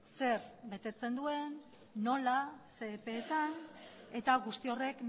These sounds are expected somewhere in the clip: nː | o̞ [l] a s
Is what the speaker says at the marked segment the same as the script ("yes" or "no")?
yes